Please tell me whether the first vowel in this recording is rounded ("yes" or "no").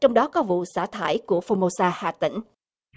yes